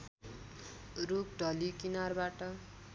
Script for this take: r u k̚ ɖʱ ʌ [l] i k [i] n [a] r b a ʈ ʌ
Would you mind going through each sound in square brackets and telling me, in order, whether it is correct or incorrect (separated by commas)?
correct, correct, correct